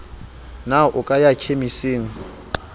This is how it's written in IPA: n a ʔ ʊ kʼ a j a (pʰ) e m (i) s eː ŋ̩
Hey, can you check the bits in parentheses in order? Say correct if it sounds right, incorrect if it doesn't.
incorrect, correct

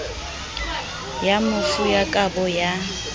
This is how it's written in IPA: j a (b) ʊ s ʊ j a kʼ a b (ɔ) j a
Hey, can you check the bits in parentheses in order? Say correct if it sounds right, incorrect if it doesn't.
incorrect, correct

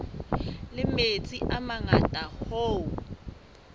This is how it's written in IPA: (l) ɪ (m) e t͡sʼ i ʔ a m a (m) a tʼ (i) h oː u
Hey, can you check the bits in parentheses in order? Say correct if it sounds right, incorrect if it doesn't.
correct, correct, incorrect, incorrect

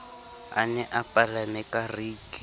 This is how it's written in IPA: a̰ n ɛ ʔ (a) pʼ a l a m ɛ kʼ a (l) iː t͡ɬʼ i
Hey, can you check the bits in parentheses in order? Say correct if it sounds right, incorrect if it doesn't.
correct, incorrect

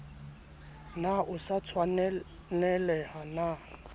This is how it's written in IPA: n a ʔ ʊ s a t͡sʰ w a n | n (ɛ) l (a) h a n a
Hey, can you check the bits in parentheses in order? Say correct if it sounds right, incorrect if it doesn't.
correct, incorrect

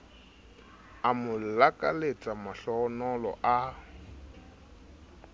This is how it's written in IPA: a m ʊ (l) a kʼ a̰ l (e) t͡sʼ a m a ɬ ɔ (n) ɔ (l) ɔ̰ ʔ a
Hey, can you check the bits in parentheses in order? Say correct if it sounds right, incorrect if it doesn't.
correct, correct, correct, correct

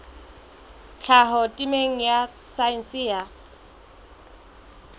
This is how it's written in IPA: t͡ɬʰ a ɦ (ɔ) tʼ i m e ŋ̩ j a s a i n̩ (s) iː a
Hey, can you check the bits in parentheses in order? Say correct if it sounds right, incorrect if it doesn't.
correct, correct

